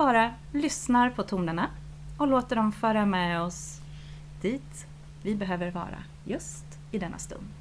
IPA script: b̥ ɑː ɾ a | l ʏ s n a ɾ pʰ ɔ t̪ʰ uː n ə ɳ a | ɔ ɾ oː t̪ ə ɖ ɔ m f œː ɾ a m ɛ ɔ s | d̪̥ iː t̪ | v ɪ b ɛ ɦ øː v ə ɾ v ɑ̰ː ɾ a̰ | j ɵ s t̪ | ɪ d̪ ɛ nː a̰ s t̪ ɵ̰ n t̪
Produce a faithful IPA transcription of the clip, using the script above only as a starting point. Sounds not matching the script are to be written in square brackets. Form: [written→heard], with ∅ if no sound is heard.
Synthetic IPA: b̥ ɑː ɾ a | l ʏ s n a ɾ pʰ ɔ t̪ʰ uː n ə ɳ a | ɔ [ɾ→l] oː t̪ ə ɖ ɔ m f œː ɾ a m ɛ ɔ s | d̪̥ iː t̪ | v ɪ b ɛ ɦ øː v ə ɾ v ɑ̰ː ɾ a̰ | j ɵ s t̪ | ɪ d̪ ɛ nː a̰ s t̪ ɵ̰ n [t̪→d̪]